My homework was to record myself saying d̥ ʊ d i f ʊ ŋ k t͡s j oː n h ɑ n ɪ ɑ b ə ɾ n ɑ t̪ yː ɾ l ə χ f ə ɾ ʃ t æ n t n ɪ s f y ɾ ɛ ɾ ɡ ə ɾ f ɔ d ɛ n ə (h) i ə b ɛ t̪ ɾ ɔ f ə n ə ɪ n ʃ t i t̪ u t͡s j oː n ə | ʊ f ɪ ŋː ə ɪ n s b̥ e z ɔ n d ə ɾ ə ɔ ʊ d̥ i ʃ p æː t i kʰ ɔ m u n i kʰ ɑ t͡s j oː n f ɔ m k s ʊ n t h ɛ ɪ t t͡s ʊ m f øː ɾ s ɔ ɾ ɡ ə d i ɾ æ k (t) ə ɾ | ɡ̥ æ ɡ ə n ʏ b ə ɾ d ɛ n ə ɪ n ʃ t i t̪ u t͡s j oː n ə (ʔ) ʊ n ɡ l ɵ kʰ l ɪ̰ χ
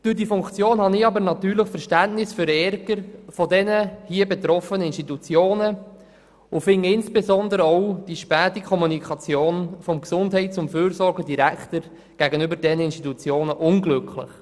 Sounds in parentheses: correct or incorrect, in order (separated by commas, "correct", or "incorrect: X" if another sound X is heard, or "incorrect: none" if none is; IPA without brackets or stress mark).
correct, correct, correct